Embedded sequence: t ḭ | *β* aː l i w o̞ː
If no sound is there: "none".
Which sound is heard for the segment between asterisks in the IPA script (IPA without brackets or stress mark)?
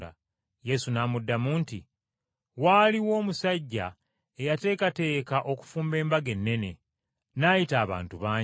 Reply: w